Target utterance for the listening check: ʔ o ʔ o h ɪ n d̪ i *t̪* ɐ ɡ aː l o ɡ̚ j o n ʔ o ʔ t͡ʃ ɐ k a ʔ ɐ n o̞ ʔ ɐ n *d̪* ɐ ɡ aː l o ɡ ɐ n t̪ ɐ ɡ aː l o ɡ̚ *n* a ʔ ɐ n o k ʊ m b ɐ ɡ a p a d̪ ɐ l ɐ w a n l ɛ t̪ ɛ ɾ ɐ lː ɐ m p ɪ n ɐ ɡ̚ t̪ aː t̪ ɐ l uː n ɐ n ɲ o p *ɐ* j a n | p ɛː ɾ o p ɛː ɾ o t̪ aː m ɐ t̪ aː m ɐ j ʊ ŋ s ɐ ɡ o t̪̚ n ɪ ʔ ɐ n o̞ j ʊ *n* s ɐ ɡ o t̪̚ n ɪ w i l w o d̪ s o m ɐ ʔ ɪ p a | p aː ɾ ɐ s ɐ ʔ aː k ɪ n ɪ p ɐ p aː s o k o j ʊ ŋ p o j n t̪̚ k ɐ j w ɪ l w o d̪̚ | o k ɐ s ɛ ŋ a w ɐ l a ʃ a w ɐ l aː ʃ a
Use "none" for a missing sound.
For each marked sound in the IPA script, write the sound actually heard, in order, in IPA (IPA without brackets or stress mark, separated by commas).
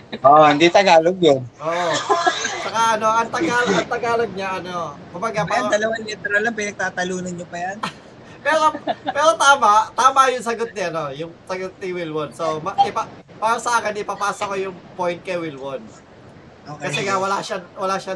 t̪, t̪, ɲ, ɐ, ŋ